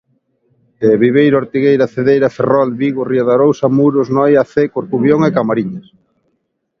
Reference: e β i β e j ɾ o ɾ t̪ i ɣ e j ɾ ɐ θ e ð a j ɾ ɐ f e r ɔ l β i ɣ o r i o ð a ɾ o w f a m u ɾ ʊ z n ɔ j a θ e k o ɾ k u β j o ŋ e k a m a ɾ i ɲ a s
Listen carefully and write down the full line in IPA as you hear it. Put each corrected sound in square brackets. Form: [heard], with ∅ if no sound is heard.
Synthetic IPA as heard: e β i β e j ɾ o ɾ t̪ i ɣ e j ɾ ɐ θ e ð [e] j ɾ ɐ f e r ɔ l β i ɣ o r i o ð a ɾ o w [s] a m u ɾ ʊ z n ɔ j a θ e k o ɾ k u β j o ŋ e k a m a ɾ i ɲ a s